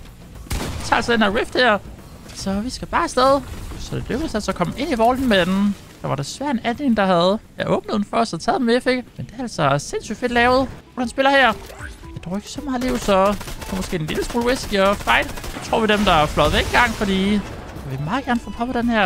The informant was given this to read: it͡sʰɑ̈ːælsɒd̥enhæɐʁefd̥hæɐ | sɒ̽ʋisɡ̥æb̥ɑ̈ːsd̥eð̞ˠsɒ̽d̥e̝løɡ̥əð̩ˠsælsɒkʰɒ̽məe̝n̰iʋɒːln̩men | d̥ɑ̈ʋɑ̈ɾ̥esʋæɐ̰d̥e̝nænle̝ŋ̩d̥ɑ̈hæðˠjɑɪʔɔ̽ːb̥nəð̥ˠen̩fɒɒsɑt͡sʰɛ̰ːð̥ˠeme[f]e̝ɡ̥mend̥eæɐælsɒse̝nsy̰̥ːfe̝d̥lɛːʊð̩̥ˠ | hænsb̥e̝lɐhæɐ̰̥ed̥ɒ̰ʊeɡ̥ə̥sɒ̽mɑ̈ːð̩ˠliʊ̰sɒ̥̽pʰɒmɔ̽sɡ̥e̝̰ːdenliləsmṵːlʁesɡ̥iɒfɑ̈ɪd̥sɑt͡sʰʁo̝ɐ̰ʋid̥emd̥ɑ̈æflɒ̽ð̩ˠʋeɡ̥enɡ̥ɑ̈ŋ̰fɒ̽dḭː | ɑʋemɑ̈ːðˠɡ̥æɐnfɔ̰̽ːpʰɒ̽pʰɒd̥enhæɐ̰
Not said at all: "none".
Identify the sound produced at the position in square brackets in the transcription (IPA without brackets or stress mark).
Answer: f